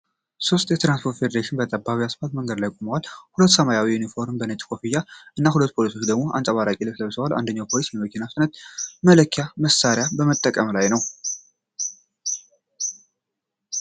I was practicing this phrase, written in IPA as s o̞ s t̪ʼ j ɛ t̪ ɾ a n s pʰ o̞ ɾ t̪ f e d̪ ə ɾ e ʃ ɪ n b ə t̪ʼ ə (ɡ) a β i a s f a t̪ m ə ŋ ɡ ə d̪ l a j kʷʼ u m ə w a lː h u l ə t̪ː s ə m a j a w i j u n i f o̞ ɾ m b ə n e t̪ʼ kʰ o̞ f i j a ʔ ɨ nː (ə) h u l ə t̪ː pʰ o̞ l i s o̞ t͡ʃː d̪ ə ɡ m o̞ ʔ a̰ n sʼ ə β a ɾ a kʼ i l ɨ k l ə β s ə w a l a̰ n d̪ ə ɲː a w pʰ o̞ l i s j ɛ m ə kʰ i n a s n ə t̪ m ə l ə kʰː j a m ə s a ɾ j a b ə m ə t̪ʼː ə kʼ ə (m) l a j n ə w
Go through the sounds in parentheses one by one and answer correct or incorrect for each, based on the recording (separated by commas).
incorrect, incorrect, correct